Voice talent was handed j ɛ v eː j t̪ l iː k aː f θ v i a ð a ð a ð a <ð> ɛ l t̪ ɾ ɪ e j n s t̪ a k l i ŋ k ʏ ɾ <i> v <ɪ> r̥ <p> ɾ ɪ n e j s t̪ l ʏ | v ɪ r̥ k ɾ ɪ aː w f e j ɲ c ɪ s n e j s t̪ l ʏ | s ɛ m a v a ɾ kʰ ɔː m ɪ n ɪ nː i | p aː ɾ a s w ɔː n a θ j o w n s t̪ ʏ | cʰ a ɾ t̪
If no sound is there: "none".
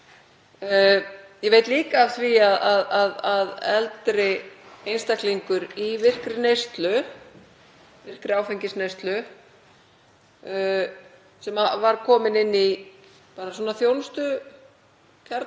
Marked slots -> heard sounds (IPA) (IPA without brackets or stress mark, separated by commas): ð, i, ɪ, k